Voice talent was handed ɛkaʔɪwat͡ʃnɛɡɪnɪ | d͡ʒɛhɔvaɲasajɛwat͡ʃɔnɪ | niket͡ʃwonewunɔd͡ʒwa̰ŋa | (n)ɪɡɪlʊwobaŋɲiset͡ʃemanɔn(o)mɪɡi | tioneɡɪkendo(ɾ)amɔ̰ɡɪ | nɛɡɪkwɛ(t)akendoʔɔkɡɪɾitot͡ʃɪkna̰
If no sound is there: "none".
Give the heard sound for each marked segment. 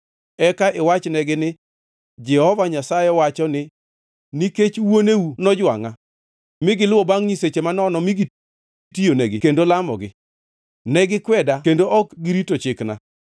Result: m, ɔ, l, d

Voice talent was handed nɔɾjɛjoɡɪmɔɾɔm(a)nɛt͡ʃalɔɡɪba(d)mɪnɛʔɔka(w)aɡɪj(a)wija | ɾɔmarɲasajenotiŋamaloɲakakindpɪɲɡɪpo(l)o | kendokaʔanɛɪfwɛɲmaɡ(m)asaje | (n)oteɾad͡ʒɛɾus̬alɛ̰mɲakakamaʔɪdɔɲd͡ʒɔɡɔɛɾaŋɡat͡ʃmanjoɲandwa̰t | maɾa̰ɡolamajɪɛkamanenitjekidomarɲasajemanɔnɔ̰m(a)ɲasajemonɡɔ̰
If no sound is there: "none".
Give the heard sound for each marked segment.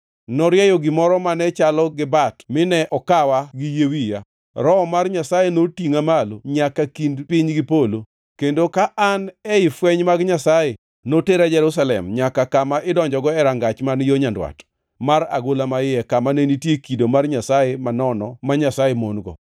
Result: a, t, w, e, l, ɲ, n, a

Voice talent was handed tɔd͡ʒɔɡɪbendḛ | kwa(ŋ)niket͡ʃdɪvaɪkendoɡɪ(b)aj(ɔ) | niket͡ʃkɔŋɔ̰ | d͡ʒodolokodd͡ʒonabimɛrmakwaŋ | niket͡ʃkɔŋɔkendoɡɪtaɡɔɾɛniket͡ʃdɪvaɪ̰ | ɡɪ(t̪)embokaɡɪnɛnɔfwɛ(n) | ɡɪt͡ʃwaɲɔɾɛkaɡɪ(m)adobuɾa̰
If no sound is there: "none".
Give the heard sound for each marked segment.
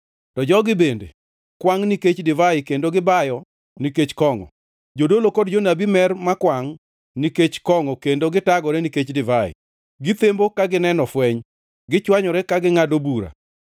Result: ŋ, b, ɔ, t̪, ɲ, ŋ

